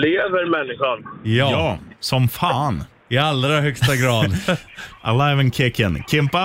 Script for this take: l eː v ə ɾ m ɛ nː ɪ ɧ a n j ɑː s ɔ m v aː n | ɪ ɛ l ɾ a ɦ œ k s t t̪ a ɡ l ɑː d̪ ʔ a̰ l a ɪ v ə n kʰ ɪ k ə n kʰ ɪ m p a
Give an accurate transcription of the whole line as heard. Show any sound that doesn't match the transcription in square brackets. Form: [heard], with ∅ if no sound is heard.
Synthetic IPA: l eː v ə ɾ m ɛ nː ɪ ɧ a n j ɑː s ɔ m [f] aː n | ɪ [a] l ɾ a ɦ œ k s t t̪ a ɡ [ɾ] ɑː d̪ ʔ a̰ l a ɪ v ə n kʰ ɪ k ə n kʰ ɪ m p a